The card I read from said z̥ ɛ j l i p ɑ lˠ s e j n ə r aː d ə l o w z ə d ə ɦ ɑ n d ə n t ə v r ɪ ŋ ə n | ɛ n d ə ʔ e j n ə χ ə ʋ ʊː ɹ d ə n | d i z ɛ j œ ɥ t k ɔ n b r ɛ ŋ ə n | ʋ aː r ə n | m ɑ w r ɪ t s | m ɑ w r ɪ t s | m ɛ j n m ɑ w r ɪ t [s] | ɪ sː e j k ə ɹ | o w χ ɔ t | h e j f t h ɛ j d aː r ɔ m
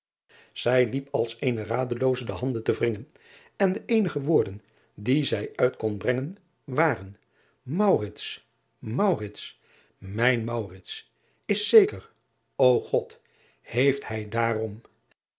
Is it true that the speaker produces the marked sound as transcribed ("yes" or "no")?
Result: yes